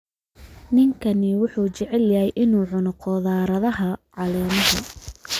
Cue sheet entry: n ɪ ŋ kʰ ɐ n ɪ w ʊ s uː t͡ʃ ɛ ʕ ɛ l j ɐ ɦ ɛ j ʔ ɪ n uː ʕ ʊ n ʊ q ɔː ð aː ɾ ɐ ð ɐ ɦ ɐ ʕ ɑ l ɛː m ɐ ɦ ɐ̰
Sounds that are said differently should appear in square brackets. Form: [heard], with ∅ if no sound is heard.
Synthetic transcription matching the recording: n ɪ ŋ kʰ ɐ n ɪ w ʊ [ħ] uː t͡ʃ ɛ ʕ ɛ l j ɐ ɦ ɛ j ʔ ɪ n uː ʕ ʊ n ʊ q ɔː ð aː ɾ ɐ ð ɐ ɦ ɐ ʕ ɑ l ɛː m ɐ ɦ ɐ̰